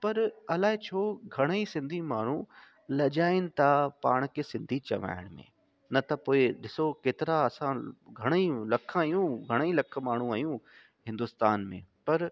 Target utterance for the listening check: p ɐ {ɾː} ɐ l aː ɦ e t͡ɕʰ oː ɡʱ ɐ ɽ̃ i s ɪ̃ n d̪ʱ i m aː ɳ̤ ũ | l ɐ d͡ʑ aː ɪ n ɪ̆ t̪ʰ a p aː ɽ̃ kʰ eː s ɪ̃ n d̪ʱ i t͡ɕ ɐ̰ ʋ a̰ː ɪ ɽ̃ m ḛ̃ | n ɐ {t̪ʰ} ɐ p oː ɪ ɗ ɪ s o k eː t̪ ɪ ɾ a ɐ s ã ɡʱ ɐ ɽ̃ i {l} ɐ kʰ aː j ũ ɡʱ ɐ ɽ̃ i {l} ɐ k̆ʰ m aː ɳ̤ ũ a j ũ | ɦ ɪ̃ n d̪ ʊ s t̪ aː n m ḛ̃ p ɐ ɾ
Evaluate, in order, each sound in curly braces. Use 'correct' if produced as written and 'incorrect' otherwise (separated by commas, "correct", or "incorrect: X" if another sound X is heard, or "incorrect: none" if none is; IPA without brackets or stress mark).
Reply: incorrect: ɾ, incorrect: t̪, correct, correct